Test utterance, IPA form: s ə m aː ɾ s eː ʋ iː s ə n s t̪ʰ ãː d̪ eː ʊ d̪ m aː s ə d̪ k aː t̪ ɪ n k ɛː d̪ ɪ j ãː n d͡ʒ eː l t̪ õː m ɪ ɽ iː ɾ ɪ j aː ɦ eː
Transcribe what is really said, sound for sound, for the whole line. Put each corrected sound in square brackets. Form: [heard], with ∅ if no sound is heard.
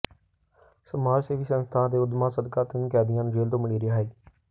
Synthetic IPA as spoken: s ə m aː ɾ s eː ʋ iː s ə n s t̪ʰ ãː d̪ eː ʊ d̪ m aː s ə d̪ k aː t̪ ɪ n k ɛː d̪ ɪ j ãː n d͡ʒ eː l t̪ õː m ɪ ɽ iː ɾ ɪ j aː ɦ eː